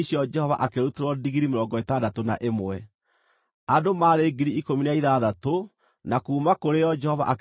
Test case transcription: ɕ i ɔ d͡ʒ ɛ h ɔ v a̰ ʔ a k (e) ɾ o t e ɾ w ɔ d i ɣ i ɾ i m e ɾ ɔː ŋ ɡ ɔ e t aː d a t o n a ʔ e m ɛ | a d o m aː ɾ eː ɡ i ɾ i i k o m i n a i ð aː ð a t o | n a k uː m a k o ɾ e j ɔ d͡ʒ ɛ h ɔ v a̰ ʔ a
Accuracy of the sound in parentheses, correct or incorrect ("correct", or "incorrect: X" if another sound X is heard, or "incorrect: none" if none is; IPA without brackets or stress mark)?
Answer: correct